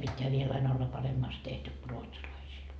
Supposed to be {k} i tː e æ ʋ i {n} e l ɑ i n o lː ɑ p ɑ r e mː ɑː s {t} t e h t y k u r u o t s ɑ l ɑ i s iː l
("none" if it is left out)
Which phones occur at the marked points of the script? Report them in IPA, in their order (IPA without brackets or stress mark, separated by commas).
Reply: p, none, t